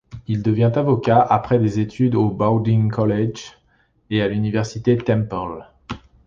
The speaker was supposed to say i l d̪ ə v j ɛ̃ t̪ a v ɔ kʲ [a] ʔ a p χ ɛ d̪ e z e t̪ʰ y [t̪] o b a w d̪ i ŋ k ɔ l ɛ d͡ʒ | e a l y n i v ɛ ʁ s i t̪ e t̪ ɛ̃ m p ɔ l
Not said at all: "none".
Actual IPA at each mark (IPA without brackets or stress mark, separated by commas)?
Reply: a, d̪